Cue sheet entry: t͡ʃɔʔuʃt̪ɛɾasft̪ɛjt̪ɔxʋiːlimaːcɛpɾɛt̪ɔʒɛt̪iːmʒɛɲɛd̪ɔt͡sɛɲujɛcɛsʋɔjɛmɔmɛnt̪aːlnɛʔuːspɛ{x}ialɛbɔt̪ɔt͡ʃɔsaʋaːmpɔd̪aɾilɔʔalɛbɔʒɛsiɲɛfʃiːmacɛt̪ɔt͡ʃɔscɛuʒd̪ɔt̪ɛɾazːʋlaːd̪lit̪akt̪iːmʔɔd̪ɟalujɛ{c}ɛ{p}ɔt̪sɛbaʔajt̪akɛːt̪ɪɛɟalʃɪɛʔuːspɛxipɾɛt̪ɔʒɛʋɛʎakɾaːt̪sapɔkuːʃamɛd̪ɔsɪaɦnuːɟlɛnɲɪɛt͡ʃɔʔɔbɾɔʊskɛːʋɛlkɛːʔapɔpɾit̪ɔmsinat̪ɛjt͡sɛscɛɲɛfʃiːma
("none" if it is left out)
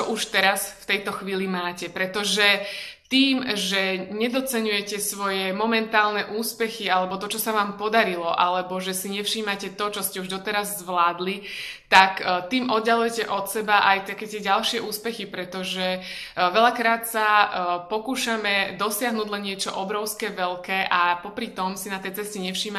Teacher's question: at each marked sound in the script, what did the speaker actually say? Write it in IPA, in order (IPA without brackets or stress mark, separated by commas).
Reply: x, c, ʔ